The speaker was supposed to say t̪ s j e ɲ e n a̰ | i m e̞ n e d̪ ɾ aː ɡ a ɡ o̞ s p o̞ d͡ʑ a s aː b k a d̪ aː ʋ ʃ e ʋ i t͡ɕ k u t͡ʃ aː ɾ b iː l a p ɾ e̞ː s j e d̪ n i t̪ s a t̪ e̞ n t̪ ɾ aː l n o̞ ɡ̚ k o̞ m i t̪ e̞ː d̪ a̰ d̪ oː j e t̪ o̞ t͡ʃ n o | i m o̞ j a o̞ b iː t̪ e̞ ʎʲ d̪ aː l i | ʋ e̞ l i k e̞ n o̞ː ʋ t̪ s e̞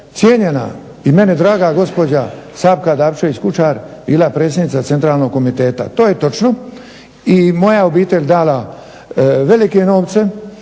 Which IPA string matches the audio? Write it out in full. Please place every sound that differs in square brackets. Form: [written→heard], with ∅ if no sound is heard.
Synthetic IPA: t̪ s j e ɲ e n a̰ | i m e̞ n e d̪ ɾ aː ɡ a ɡ o̞ s p o̞ d͡ʑ a s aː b k a d̪ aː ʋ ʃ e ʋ i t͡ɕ k u t͡ʃ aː ɾ b iː l a p ɾ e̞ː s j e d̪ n i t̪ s a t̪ e̞ n t̪ ɾ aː l n o̞ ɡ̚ k o̞ m i t̪ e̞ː [d̪→t̪] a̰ [d̪→t̪] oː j e t̪ o̞ t͡ʃ n o | i m o̞ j a o̞ b iː t̪ e̞ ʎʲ d̪ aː l [i→a] | ʋ e̞ l i k e̞ n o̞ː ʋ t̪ s e̞